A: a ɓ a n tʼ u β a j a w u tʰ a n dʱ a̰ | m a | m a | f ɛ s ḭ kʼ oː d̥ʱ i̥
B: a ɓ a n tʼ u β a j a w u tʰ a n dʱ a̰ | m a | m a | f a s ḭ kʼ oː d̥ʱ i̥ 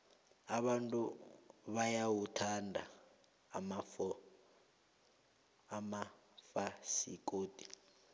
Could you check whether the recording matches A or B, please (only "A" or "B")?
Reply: B